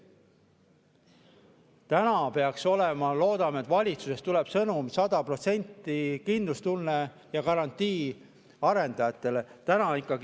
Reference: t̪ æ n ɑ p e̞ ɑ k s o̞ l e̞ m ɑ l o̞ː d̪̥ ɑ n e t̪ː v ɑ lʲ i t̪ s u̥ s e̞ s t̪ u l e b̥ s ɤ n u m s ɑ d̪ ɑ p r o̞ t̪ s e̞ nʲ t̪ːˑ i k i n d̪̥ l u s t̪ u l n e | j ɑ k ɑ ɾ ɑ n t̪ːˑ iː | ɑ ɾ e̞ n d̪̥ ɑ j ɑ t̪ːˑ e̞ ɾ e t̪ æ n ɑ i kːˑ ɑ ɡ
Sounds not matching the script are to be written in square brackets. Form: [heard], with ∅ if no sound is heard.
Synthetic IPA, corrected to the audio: t̪ æ n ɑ p e̞ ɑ k s o̞ l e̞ m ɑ l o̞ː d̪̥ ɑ [m] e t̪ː v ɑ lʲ i t̪ s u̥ s e̞ s t̪ u l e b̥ s ɤ n u m s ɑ d̪ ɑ p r o̞ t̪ s e̞ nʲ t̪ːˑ i k i n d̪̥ l u s t̪ u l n e | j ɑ k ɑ ɾ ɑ n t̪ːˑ iː | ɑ ɾ e̞ n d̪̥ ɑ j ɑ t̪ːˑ e̞ [l] e t̪ æ n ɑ i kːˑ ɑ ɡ